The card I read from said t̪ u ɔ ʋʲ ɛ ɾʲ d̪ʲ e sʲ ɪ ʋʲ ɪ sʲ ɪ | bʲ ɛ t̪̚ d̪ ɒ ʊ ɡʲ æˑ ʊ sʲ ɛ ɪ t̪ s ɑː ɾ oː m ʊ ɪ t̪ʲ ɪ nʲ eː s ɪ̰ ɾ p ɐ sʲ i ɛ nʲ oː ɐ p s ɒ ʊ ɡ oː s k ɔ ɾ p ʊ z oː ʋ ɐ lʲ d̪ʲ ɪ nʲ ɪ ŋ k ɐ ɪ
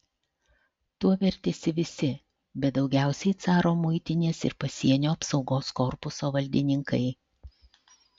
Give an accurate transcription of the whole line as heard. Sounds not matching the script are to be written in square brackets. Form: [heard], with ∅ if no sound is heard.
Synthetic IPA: t̪ u ɔ ʋʲ ɛ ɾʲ [t̪ʲ] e sʲ ɪ ʋʲ ɪ sʲ ɪ | bʲ ɛ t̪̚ d̪ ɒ ʊ ɡʲ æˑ ʊ sʲ ɛ ɪ t̪ s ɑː ɾ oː m ʊ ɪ t̪ʲ ɪ nʲ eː s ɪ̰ ɾ p ɐ sʲ i ɛ nʲ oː ɐ p s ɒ ʊ ɡ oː s k ɔ ɾ p ʊ [s] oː ʋ ɐ lʲ d̪ʲ ɪ nʲ ɪ ŋ k ɐ ɪ